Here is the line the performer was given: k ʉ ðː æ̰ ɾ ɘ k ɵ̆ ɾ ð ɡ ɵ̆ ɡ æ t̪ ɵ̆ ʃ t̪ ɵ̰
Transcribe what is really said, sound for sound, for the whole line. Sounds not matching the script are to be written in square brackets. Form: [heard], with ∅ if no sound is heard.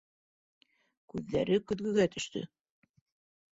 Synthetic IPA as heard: k ʉ ðː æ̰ ɾ ɘ k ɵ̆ [∅] ð ɡ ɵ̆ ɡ æ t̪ ɵ̆ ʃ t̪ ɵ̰